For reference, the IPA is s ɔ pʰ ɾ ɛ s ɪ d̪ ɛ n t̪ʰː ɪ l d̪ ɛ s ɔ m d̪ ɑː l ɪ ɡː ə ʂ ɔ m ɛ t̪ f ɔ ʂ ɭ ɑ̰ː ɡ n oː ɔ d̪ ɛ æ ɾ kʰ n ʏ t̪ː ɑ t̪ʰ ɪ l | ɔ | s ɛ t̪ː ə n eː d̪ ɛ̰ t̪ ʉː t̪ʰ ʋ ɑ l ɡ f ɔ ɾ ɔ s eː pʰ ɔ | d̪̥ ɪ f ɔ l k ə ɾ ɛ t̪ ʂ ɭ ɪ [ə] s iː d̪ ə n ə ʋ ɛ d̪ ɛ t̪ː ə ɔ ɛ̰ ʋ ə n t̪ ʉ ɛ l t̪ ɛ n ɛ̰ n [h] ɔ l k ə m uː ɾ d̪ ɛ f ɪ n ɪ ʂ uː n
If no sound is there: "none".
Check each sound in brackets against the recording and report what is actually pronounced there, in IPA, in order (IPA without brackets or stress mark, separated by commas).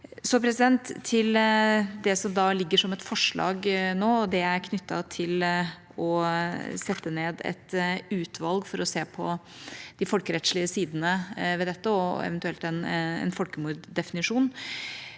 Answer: ə, f